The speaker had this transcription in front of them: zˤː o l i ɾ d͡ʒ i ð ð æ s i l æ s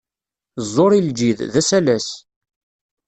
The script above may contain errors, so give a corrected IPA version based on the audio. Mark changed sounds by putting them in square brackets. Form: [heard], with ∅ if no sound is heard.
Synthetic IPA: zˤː o [ɾ] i [l] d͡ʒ i ð ð æ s [æ] l æ s